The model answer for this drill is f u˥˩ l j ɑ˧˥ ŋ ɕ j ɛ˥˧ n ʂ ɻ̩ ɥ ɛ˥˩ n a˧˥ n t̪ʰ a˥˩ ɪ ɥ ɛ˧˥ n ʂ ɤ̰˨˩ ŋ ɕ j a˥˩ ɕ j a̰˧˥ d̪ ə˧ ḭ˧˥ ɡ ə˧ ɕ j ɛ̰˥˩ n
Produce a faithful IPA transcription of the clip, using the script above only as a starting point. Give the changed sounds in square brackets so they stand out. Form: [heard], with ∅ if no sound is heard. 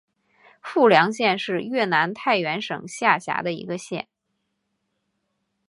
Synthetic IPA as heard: f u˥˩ l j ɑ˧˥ ŋ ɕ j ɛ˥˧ n ʂ ɻ̩ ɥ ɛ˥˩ n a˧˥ n t̪ʰ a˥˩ ɪ ɥ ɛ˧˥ n ʂ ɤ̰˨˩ ŋ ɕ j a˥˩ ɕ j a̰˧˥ d̪ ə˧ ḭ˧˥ ɡ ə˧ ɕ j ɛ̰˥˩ n

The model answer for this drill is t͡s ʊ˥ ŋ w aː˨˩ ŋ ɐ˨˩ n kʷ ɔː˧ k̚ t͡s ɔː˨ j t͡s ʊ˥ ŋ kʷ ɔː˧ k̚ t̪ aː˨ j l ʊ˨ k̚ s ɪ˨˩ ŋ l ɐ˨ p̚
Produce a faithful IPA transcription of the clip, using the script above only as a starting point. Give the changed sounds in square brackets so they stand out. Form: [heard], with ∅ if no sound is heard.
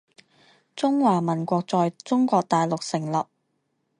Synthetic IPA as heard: t͡s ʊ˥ ŋ w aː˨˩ [m] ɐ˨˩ n kʷ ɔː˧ k̚ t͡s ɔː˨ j t͡s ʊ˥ ŋ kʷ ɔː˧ k̚ t̪ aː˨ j l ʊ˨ k̚ s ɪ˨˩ ŋ l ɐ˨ p̚

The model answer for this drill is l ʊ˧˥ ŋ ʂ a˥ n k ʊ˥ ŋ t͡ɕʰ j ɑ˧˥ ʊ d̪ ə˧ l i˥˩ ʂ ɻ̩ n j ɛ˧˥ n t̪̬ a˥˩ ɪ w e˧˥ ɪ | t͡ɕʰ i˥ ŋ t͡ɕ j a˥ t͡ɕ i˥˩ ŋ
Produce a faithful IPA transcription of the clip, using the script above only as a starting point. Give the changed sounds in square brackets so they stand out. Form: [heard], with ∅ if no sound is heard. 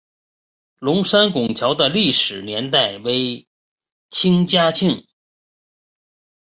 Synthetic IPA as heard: l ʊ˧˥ ŋ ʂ a˥ n k [ʊ˨˩] ŋ t͡ɕʰ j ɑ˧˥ ʊ d̪ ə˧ l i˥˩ ʂ ɻ̩ n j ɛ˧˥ n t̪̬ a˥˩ ɪ w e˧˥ ɪ | t͡ɕʰ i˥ ŋ t͡ɕ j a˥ [t͡ɕʰ] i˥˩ ŋ

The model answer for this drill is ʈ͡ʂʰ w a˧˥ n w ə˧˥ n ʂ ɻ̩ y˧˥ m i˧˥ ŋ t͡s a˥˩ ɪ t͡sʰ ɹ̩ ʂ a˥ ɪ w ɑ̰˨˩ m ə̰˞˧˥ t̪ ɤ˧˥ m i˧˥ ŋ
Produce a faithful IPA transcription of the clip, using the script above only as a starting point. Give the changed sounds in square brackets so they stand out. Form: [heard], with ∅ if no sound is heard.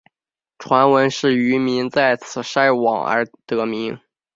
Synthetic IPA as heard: ʈ͡ʂʰ w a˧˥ n w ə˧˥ n ʂ ɻ̩ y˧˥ m i˧˥ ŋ t͡s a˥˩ ɪ t͡sʰ ɹ̩ ʂ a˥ ɪ w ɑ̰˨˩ [ŋ] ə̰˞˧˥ t̪ ɤ˧˥ m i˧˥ ŋ

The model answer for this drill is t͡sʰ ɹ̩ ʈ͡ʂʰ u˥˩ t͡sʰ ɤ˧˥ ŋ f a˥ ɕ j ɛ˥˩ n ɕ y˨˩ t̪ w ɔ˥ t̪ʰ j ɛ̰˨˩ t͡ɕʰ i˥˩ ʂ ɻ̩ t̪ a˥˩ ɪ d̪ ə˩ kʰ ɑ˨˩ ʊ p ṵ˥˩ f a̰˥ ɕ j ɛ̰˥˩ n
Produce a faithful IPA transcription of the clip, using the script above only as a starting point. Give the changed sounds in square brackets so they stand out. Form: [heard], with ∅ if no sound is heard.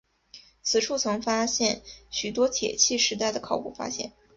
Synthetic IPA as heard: t͡sʰ ɹ̩ ʈ͡ʂʰ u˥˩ t͡sʰ ɤ˧˥ ŋ f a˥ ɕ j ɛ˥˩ n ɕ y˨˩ t̪ w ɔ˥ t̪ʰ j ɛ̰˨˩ t͡ɕʰ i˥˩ ʂ ɻ̩ t̪ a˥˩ ɪ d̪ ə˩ kʰ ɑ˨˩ ʊ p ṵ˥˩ f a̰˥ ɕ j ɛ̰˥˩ n

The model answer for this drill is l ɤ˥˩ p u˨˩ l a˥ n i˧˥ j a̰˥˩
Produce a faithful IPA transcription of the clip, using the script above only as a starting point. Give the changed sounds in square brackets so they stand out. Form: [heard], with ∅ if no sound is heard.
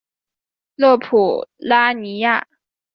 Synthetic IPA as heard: l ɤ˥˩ [pʰ] u˨˩ l a˥ n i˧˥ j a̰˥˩

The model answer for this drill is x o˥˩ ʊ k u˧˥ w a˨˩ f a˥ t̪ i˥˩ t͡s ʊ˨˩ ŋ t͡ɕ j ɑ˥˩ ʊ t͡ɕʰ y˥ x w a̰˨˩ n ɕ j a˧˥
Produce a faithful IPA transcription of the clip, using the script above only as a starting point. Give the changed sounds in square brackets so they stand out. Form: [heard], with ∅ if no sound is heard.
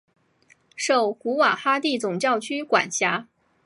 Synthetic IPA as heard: [ʂ] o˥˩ ʊ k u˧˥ w a˨˩ [x] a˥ t̪ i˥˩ t͡s ʊ˨˩ ŋ t͡ɕ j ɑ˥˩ ʊ t͡ɕʰ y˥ [k] w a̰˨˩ n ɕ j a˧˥

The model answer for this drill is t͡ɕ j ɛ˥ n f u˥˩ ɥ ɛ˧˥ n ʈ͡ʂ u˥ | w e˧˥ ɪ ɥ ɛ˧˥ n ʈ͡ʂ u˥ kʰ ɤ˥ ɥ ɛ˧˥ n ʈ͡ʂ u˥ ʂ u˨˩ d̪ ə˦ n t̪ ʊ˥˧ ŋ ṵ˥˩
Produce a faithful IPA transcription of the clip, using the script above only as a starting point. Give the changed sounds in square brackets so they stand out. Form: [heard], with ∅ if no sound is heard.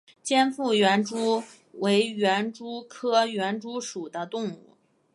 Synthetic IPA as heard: t͡ɕ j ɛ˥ n f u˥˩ ɥ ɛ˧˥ n ʈ͡ʂ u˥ | w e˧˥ ɪ ɥ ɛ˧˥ n ʈ͡ʂ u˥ kʰ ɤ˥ ɥ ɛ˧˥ n ʈ͡ʂ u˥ ʂ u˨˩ d̪ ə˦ [∅] t̪ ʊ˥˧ ŋ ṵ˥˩

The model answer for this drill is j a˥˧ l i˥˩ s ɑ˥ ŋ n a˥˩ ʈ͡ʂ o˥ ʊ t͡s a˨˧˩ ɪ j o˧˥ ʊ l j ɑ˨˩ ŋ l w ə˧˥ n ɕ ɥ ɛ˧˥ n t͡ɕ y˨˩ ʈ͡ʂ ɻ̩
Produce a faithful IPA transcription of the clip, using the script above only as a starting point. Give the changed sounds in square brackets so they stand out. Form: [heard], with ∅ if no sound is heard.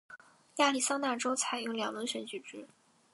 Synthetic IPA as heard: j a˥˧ l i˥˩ s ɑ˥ ŋ n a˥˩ ʈ͡ʂ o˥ ʊ [t͡sʰ] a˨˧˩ ɪ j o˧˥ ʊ l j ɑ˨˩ ŋ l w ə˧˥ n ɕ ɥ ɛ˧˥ n t͡ɕ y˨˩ ʈ͡ʂ ɻ̩

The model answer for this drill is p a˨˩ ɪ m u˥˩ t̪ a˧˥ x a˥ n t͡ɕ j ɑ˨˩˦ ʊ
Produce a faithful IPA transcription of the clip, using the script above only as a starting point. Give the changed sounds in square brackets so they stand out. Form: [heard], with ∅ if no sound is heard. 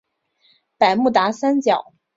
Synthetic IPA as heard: p a˨˩ ɪ m u˥˩ t̪ a˧˥ [s] a˥ n t͡ɕ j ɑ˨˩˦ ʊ

